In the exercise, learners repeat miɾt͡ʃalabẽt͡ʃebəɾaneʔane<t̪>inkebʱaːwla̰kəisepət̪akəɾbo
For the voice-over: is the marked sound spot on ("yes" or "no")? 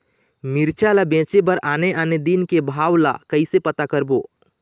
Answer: no